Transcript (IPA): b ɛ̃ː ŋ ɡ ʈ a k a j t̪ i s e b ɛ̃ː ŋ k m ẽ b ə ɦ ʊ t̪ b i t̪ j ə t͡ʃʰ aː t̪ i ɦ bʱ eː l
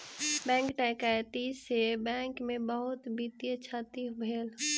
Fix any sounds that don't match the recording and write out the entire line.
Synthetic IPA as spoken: b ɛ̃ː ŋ k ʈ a k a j t̪ i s e b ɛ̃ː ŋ k m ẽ b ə ɦ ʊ t̪ b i t̪ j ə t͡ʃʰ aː t̪ i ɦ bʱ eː l

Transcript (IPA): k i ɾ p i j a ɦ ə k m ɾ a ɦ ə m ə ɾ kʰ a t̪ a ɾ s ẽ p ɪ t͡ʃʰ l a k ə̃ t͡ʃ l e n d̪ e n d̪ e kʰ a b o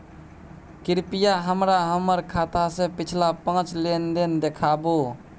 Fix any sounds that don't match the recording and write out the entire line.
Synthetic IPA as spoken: k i ɾ p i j a ɦ ə m ɾ a ɦ ə m ə ɾ kʰ a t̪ a s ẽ p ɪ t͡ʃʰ l a p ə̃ t͡ʃ l e n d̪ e n d̪ e kʰ a b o

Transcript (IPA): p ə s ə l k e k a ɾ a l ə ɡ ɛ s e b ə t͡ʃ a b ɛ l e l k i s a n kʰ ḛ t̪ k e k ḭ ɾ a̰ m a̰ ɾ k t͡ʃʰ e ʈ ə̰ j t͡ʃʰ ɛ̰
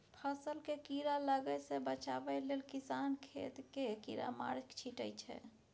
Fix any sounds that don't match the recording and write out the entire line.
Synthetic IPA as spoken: pʰ ə s ə l k e k i ɾ a l ə ɡ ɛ s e b ə t͡ʃ a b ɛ l e l k i s a n kʰ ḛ t̪ k e k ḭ ɾ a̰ m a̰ ɾ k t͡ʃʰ i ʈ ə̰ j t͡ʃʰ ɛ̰

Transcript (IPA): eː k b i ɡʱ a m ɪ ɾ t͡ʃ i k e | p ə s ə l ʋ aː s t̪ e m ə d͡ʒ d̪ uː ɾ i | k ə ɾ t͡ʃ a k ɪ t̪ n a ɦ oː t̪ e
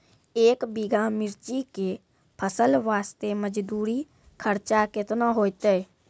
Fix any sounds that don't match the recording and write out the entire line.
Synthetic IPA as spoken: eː k b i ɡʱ a m ɪ ɾ t͡ʃ i k e | pʰ ə s ə l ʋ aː s t̪ e m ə d͡ʒ d̪ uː ɾ i | kʰ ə ɾ t͡ʃ a k ɪ t̪ n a ɦ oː t̪ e

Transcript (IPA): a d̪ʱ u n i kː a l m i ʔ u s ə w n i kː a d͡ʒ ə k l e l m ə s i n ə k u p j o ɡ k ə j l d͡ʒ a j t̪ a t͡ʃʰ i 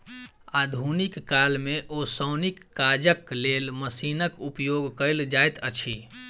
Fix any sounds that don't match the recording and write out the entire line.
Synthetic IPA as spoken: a d̪ʱ u n i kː a l m e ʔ o s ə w n i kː a d͡ʒ ə k l e l m ə s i n ə k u p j o ɡ k ə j l d͡ʒ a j t̪ ə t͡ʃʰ i

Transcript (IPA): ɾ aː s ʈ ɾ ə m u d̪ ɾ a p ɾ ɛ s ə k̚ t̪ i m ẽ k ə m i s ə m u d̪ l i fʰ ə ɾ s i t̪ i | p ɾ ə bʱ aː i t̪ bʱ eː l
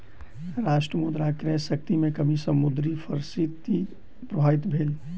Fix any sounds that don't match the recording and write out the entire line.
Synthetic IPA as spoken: ɾ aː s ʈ ɾ ə m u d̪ ɾ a k ɾ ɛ s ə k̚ t̪ i m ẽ k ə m i s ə m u d̪ ɾ i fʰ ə ɾ s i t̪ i | p ɾ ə bʱ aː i t̪ bʱ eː l

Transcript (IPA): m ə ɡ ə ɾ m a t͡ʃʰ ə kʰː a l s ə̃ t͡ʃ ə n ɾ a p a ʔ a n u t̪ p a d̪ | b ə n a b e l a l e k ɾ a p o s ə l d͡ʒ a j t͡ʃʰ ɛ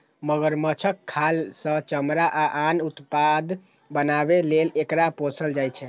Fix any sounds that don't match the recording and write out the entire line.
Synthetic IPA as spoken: m ə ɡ ə ɾ m ə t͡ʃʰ ə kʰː a l s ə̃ t͡ʃ ə m ɾ a ʔ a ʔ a n u t̪ p a d̪ | b ə n a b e l e l e k ɾ a p o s ə l d͡ʒ a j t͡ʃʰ ɛ

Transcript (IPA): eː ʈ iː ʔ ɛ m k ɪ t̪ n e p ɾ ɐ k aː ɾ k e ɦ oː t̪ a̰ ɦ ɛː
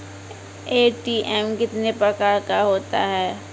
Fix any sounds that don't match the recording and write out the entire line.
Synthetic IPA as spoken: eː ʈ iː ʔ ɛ m k ɪ t̪ n e p ɾ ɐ k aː ɾ k a ɦ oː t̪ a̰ ɦ ɛː

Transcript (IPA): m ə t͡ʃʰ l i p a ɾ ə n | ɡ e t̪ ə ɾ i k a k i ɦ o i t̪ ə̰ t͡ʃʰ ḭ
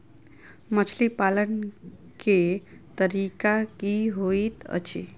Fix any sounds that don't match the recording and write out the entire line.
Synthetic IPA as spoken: m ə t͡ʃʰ l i p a l ə n | k e t̪ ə ɾ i k a k i ɦ o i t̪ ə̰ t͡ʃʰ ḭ

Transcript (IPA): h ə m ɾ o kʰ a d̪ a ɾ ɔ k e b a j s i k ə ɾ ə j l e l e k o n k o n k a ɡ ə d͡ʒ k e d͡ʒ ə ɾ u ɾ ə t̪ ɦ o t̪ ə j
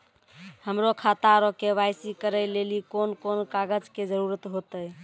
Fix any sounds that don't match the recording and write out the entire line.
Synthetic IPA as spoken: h ə m ɾ o kʰ a t̪ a ɾ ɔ k e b a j s i k ə ɾ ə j l e l i k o n k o n k a ɡ ə d͡ʒ k e d͡ʒ ə ɾ u ɾ ə t̪ ɦ o t̪ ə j

